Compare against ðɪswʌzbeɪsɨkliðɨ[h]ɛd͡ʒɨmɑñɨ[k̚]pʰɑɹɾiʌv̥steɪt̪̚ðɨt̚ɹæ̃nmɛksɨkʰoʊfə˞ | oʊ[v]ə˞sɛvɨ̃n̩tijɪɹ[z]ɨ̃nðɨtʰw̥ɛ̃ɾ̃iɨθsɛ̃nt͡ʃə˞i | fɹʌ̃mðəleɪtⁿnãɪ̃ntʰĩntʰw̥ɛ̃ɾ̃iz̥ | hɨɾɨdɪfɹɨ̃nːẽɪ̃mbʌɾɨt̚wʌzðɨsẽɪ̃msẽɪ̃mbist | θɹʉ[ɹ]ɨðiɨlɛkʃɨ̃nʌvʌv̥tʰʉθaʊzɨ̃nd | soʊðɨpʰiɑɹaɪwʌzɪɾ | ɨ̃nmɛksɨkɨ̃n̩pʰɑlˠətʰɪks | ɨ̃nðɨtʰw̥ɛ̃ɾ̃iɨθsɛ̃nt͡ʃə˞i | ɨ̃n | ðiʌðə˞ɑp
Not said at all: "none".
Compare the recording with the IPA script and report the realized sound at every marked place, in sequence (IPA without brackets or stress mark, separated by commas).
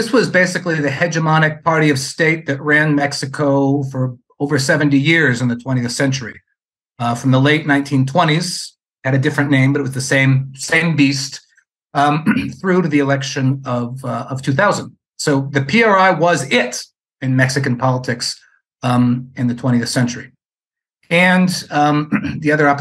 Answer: h, k̚, v, z, ɾ